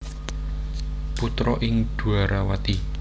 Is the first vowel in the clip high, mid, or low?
high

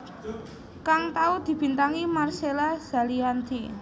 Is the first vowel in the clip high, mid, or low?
low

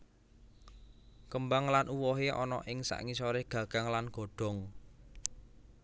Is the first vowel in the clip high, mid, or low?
mid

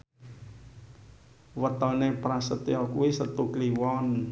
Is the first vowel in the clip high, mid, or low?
mid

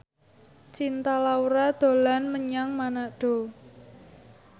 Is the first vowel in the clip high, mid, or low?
high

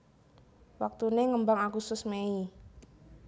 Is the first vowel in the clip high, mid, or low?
low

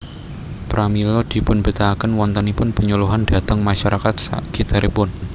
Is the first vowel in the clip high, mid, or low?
low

